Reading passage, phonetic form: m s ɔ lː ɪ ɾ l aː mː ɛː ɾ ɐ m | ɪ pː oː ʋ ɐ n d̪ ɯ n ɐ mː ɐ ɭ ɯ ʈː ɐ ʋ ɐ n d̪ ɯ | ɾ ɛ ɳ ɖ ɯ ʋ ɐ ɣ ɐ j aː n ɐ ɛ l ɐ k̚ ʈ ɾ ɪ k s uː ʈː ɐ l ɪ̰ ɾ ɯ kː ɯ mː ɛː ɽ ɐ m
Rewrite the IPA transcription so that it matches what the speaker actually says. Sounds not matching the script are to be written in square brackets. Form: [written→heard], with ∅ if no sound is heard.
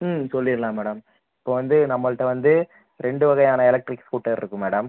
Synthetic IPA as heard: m s ɔ lː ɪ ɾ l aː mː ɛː [ɾ→ɽ] ɐ m | ɪ pː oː ʋ ɐ n d̪ ɯ n ɐ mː ɐ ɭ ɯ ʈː ɐ ʋ ɐ n d̪ ɯ | ɾ ɛ ɳ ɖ ɯ ʋ ɐ ɣ ɐ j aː n ɐ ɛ l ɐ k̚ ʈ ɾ ɪ k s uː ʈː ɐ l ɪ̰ ɾ ɯ kː ɯ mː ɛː ɽ ɐ m